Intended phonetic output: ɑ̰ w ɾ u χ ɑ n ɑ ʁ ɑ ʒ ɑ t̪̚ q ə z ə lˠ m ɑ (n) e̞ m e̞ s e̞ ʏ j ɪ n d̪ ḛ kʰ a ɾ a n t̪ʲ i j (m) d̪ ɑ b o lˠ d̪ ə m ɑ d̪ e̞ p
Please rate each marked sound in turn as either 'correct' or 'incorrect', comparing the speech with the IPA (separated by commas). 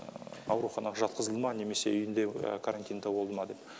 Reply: correct, incorrect